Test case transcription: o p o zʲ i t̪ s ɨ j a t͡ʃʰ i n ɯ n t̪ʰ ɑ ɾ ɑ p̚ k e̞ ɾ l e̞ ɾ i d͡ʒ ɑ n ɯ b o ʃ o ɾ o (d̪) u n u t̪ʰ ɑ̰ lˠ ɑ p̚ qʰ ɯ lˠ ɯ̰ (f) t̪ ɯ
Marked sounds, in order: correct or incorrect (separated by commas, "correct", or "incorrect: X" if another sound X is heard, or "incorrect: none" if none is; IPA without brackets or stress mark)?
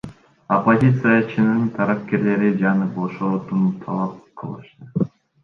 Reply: incorrect: t̪, incorrect: ʃ